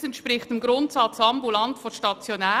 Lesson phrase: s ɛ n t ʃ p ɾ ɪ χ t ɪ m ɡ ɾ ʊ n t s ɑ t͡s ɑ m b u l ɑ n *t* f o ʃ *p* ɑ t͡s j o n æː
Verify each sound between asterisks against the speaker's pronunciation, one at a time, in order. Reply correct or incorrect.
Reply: correct, incorrect: t

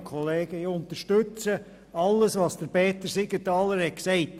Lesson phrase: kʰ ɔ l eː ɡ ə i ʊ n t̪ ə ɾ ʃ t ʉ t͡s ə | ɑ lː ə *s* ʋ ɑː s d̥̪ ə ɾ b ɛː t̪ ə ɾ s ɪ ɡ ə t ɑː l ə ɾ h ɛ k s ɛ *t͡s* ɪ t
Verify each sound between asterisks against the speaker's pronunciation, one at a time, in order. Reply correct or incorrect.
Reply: correct, incorrect: none

